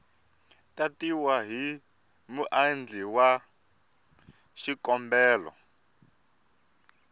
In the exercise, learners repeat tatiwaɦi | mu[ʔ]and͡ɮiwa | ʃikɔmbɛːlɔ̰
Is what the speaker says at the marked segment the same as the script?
yes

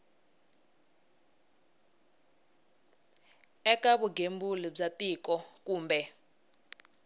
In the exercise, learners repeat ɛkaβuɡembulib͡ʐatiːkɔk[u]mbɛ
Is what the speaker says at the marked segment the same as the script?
no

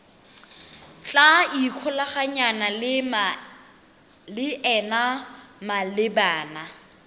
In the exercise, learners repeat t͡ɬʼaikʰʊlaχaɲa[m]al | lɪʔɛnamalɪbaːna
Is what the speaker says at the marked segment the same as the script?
no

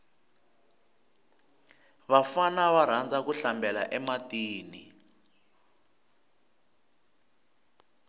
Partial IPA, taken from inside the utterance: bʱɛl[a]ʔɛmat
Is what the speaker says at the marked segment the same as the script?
yes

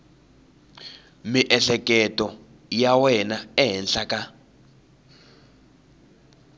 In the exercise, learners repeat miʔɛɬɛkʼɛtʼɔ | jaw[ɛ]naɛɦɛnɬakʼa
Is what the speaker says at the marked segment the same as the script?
yes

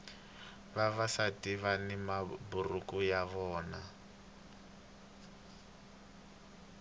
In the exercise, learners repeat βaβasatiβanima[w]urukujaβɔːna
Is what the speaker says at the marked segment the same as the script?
no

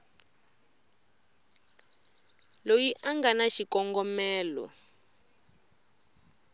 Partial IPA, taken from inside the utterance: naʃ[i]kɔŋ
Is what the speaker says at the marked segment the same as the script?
yes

